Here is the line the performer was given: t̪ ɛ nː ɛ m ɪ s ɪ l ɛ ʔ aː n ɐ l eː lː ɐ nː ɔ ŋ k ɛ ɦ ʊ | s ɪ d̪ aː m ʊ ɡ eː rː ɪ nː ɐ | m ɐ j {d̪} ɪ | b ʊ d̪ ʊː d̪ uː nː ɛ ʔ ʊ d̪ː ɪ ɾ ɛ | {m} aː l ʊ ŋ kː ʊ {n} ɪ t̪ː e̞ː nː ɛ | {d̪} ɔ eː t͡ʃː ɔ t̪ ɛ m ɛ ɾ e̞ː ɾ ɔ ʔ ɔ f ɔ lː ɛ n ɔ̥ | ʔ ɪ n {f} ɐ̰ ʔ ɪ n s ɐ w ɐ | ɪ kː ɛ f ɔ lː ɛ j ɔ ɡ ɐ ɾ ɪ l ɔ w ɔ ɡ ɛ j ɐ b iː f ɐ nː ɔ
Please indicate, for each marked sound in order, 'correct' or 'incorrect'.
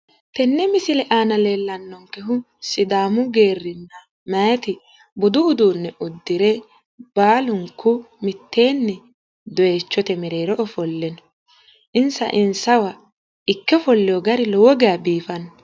incorrect: t̪, incorrect: b, incorrect: m, correct, incorrect: s

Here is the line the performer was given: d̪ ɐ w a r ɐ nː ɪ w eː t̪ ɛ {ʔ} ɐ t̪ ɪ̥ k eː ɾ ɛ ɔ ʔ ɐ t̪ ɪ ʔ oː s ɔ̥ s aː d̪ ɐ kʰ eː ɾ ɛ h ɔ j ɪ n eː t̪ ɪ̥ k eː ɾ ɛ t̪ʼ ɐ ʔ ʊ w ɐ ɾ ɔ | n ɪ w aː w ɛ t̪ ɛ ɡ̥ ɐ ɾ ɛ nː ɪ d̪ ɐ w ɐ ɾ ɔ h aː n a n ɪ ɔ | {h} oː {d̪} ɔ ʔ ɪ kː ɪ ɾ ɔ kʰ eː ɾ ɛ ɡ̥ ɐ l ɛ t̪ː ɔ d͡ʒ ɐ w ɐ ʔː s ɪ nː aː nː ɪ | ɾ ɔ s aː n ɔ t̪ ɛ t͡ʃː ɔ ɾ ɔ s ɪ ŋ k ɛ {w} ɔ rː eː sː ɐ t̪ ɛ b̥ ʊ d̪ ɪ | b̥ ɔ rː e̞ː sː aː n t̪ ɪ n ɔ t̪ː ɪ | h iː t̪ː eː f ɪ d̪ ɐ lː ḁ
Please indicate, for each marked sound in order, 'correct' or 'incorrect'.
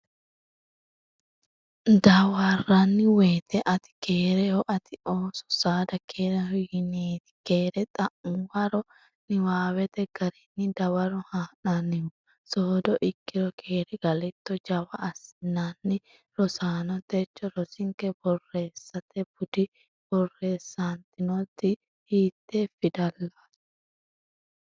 correct, incorrect: s, correct, incorrect: b

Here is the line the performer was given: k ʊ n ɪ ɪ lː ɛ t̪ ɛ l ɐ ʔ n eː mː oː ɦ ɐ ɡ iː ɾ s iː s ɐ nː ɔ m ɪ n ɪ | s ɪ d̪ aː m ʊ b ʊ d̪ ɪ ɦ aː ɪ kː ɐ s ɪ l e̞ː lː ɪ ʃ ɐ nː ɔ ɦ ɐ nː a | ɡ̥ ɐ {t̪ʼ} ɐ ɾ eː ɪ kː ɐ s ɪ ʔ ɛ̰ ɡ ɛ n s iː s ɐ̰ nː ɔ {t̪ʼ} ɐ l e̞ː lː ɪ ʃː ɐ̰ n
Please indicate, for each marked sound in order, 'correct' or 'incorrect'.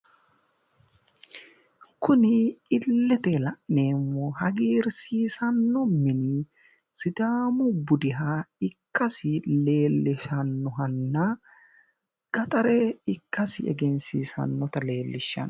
correct, incorrect: t̪

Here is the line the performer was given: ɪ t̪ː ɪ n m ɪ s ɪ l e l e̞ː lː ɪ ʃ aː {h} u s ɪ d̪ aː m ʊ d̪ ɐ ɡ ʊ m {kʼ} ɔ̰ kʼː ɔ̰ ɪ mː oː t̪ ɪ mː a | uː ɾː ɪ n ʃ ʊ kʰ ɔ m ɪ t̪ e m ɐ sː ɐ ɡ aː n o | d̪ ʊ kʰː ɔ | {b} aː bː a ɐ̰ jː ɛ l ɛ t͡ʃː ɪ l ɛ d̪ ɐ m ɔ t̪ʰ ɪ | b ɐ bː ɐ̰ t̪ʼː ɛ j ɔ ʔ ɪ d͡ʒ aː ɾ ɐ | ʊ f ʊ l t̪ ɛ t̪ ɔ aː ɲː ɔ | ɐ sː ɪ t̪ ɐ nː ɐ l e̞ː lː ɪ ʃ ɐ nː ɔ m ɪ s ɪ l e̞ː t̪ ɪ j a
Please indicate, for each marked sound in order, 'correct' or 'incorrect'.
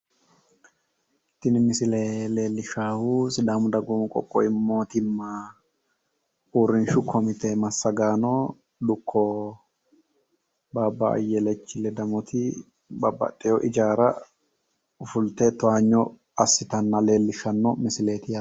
correct, correct, correct

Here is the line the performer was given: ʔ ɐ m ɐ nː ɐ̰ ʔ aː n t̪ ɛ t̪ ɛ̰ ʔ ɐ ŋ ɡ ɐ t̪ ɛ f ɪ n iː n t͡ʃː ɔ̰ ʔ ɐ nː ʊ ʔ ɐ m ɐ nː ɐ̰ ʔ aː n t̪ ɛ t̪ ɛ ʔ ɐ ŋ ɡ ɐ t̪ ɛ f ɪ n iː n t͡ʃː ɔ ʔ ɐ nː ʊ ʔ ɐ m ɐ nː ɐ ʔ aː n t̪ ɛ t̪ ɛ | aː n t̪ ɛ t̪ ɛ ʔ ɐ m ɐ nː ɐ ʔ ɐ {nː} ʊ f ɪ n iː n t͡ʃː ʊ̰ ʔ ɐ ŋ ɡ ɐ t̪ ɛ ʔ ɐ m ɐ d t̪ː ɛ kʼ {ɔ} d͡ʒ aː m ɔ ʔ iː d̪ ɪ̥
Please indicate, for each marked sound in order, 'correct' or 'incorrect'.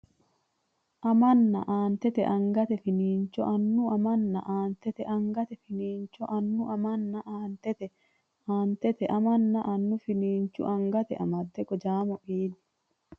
correct, correct

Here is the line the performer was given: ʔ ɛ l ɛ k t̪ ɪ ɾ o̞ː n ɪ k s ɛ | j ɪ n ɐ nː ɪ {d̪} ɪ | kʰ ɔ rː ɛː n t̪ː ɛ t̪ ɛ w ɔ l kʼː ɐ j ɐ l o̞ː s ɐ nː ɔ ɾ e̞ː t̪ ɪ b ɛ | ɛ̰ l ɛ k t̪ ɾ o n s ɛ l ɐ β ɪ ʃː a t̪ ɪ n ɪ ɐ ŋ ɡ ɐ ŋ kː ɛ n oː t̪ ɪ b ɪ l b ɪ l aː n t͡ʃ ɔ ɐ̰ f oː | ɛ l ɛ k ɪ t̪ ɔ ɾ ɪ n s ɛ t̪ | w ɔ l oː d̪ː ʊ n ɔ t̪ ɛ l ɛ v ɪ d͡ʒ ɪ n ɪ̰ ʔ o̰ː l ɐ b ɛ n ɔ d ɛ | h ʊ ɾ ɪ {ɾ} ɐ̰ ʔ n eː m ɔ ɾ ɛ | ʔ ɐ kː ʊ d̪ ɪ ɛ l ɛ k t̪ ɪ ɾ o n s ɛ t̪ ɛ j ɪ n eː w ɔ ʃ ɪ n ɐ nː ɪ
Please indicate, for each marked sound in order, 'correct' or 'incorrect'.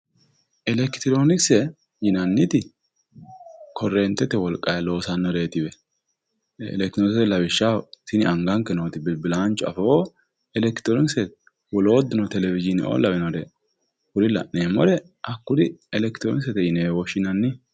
incorrect: t̪, incorrect: l

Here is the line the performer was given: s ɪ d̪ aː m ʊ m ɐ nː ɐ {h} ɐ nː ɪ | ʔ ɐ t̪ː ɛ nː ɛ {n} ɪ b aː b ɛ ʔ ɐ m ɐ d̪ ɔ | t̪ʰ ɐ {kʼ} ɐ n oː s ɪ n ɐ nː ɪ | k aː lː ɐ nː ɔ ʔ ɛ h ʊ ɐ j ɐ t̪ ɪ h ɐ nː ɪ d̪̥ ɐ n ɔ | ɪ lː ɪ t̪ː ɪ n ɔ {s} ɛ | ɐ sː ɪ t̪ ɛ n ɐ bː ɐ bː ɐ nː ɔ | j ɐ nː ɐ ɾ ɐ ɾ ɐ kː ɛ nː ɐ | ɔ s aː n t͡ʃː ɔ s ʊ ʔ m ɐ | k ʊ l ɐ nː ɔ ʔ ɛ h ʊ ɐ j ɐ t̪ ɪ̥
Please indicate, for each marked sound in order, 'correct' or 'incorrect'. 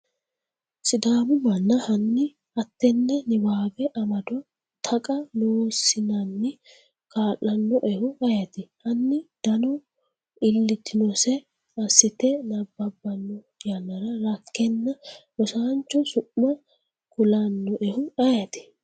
correct, correct, correct, correct

